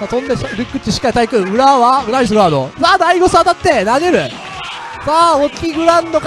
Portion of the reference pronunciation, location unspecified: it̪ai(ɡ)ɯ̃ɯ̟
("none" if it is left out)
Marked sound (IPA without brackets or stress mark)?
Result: k